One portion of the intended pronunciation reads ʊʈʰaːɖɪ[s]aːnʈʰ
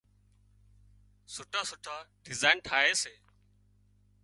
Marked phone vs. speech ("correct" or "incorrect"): incorrect